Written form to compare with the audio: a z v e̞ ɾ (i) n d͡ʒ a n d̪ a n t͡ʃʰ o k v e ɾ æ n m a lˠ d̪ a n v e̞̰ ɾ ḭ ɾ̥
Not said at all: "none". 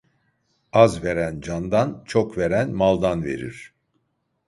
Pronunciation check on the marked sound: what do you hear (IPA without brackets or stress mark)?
æ